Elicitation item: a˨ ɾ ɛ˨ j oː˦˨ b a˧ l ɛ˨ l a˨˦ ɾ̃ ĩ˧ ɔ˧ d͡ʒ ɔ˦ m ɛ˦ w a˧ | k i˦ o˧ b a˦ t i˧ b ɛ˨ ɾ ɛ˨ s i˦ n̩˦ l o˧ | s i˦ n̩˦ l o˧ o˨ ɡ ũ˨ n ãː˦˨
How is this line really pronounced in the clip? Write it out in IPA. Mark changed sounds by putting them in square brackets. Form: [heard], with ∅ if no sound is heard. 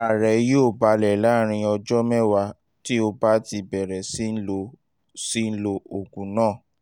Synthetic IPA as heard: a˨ ɾ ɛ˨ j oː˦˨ b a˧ l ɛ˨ l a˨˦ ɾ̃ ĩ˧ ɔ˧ d͡ʒ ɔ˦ m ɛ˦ w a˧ | [t] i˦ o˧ b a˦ t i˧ b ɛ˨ ɾ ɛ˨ s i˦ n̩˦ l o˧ | s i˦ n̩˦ l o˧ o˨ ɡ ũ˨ n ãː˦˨